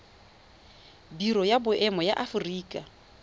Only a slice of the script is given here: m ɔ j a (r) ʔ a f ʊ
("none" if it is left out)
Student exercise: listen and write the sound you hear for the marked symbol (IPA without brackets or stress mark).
none